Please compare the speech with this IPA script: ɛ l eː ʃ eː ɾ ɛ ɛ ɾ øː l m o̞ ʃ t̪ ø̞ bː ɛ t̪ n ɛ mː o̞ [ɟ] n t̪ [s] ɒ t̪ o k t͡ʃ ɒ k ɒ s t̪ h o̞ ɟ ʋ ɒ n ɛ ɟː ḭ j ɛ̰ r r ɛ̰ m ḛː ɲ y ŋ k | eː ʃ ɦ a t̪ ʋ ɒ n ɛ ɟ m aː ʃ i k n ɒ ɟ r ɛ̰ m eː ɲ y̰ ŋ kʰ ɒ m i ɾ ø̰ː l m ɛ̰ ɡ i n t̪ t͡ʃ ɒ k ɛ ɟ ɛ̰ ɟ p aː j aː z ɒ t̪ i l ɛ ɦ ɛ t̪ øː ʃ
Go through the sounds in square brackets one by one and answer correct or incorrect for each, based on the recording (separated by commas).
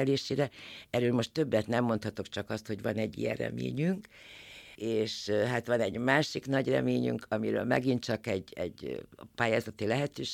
incorrect, incorrect